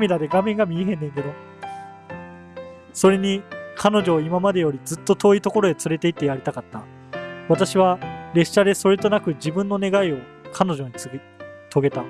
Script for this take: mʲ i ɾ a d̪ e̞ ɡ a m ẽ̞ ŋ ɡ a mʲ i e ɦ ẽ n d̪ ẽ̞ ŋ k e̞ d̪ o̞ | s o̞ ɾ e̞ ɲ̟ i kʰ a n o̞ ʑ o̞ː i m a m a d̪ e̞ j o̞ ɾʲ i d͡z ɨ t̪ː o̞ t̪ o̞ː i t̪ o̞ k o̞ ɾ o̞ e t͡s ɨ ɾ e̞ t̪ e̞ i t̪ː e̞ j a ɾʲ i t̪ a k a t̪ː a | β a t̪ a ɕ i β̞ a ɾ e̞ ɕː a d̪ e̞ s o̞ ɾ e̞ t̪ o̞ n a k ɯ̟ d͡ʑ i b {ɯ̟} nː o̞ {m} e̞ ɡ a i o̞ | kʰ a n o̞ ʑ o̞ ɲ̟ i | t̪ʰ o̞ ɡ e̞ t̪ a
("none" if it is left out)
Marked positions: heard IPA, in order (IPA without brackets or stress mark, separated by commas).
ɯ̟̃, n